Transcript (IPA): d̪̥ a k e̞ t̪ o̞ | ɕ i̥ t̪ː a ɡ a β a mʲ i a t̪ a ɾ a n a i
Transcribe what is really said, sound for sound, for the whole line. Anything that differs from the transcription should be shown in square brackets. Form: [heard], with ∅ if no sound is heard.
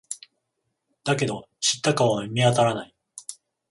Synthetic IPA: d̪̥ a k e̞ [d̪] o̞ | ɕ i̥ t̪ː a [k] a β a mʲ i a t̪ a ɾ a n a i